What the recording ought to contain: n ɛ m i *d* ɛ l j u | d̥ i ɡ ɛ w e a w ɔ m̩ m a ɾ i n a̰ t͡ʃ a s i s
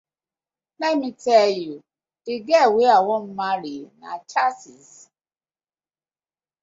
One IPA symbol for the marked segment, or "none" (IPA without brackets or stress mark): t